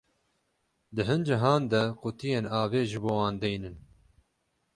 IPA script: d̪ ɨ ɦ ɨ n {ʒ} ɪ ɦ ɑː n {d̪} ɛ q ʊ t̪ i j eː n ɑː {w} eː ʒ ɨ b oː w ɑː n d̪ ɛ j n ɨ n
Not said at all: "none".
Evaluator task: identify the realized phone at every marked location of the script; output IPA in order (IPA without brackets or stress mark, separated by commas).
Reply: d͡ʒ, d̪, v